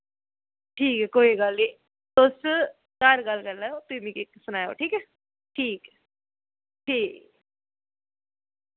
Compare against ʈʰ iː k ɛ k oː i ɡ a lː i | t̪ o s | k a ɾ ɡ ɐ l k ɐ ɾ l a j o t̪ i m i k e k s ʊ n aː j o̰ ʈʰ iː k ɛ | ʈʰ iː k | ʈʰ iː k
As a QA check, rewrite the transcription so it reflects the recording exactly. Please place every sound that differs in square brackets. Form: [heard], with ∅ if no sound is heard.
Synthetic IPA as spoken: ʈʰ iː k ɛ k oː i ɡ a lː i | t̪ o s | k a ɾ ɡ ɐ l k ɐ ɾ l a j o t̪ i m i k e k s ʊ n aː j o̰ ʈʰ iː k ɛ | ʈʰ iː k | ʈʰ iː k